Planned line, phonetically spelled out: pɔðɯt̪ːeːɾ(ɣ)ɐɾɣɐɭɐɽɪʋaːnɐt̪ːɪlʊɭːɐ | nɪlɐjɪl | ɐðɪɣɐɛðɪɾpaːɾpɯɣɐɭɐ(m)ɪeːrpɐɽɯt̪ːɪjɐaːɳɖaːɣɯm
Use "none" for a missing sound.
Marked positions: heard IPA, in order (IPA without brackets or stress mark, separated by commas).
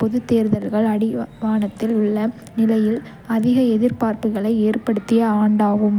ð, none